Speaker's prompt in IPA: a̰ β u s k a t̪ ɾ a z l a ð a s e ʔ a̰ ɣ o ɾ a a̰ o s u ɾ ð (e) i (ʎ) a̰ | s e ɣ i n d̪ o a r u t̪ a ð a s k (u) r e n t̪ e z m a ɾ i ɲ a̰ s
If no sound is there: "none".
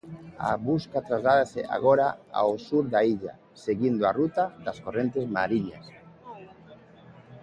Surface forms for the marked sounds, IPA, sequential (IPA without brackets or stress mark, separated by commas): a, ʎ, o